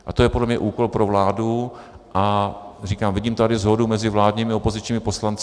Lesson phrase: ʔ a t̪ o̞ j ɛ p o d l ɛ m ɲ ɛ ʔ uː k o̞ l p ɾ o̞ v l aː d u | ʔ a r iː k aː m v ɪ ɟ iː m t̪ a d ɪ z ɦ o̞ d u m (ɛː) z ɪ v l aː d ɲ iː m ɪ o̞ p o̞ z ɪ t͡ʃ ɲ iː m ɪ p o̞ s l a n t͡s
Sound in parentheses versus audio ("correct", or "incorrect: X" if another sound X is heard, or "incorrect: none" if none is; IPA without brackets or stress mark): incorrect: ɛ